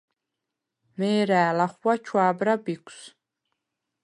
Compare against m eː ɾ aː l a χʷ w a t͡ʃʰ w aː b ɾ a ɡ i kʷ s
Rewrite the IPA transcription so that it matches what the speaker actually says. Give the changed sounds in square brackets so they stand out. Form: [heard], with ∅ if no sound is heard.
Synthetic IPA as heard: m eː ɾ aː l a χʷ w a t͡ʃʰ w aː b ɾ a [b] i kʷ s